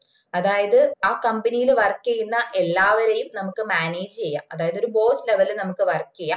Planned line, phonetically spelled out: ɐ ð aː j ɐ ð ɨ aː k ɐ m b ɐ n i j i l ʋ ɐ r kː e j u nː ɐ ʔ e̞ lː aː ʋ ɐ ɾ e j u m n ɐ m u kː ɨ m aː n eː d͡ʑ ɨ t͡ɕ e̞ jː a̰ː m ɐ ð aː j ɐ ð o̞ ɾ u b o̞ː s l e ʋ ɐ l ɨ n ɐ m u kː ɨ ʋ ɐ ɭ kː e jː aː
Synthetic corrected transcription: ɐ ð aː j ɐ ð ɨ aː k ɐ m b ɐ n i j i l ʋ ɐ r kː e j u nː ɐ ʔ e̞ lː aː ʋ ɐ ɾ e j u m n ɐ m u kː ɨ m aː n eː d͡ʑ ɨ t͡ɕ e̞ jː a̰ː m ɐ ð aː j ɐ ð o̞ ɾ u b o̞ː s l e ʋ ɐ l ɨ n ɐ m u kː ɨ ʋ ɐ r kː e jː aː